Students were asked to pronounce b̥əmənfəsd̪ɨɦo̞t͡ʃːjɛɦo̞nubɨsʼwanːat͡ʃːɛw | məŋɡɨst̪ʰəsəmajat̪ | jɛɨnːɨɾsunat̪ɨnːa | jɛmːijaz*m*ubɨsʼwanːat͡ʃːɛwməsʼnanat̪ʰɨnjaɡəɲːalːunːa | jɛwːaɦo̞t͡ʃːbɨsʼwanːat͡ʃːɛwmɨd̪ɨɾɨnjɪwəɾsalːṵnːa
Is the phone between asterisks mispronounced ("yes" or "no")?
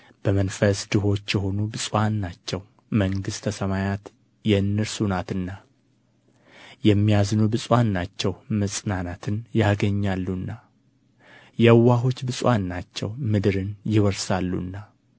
yes